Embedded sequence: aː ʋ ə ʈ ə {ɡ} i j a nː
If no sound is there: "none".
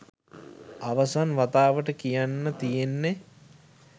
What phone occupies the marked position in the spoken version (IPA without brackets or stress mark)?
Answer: k